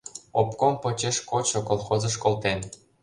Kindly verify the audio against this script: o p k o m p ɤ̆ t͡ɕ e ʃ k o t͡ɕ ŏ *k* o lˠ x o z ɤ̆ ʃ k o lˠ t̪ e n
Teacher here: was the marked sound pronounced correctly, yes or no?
yes